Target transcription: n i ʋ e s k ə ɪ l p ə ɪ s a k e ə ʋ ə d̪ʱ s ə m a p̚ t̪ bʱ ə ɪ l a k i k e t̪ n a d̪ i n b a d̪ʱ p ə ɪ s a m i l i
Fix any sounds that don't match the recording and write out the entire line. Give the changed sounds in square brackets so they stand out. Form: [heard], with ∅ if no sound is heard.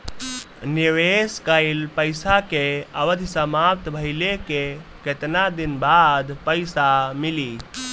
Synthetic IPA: n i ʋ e s k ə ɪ l p ə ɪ s a k e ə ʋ ə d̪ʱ s ə m a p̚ t̪ bʱ ə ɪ l [e] k [e] k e t̪ n a d̪ i n b a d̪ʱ p ə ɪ s a m i l i